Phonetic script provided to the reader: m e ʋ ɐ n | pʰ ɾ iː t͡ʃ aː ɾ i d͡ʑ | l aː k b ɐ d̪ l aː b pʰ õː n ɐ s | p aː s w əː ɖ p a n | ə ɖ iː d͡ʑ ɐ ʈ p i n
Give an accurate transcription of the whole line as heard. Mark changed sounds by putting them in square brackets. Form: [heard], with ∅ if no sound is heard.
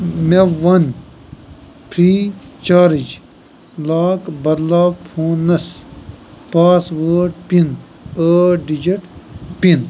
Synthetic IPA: m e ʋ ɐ n | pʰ ɾ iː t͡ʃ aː ɾ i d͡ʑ | l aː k b ɐ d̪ l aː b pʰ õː n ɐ s | p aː s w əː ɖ p [i] n | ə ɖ [i] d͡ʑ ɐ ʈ p i n